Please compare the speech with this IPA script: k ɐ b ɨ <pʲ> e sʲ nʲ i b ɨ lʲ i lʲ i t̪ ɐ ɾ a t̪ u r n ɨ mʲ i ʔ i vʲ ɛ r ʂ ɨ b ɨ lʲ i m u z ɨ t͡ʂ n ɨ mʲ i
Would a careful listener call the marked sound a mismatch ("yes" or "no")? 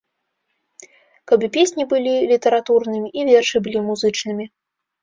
no